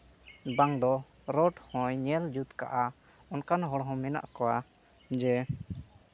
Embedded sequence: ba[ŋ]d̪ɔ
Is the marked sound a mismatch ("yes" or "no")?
no